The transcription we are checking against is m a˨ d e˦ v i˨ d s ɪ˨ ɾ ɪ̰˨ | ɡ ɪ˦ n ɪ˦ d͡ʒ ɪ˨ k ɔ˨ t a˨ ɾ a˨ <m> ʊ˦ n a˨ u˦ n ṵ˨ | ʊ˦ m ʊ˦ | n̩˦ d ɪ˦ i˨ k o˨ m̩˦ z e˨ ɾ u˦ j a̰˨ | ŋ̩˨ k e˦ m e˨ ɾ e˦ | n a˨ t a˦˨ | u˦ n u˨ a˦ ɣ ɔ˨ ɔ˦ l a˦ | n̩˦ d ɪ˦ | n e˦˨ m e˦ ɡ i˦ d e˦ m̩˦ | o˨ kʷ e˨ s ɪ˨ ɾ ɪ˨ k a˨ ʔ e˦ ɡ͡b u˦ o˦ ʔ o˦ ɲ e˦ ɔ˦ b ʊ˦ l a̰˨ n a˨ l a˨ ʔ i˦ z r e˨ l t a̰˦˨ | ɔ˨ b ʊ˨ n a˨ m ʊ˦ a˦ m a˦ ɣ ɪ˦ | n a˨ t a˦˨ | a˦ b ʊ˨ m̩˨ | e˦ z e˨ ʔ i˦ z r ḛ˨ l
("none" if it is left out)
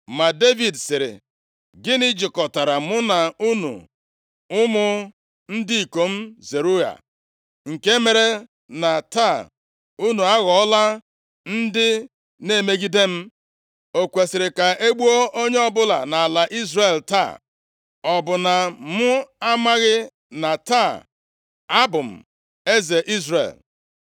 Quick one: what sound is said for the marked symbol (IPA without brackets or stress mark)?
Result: m